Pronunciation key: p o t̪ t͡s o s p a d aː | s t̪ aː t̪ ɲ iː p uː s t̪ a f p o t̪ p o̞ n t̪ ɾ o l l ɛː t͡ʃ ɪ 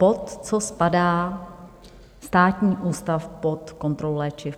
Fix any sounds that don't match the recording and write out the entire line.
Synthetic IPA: p o t̪ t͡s o s p a d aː | s t̪ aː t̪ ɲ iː ʔ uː s t̪ a f p o t̪ k o̞ n t̪ ɾ o l l ɛː t͡ʃ ɪ